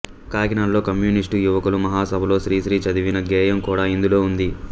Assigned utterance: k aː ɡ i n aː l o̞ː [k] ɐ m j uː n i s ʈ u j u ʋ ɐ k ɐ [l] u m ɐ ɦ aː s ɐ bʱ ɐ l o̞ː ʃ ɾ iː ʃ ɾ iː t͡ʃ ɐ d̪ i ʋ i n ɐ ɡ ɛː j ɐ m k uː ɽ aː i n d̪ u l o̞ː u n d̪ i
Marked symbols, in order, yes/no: yes, yes

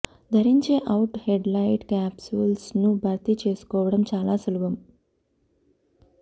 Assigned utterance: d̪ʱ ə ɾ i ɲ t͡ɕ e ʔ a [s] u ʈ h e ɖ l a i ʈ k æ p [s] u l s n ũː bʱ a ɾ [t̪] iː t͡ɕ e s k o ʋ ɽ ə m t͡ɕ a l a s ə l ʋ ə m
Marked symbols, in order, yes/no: no, yes, yes

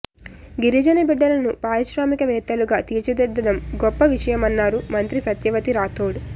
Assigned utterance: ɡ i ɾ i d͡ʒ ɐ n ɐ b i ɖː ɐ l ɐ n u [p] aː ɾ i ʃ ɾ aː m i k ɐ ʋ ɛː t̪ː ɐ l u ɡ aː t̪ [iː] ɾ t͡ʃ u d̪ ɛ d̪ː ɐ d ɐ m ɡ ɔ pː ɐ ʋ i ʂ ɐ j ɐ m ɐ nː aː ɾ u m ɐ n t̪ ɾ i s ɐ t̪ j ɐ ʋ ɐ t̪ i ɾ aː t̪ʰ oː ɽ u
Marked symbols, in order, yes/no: yes, yes

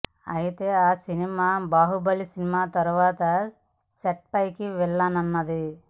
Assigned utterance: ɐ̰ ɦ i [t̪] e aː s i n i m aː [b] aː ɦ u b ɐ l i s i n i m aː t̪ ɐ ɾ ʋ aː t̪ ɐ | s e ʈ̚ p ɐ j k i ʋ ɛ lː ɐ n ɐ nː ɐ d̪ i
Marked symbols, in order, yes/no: yes, yes

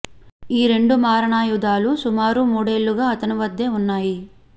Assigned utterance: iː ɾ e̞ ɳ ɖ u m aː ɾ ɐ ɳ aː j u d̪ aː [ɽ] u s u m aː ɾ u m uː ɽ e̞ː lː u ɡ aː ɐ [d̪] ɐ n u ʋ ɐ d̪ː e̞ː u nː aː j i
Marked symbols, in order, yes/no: no, no

